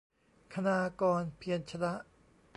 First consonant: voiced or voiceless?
voiceless